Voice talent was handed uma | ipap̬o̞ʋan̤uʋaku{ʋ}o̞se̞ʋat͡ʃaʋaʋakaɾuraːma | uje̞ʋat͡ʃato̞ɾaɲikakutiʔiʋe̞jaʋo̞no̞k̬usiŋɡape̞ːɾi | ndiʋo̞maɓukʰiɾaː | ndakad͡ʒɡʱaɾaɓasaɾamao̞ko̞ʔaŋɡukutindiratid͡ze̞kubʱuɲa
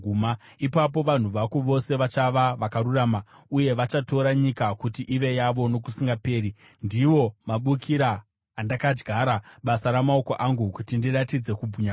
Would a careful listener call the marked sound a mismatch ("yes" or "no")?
no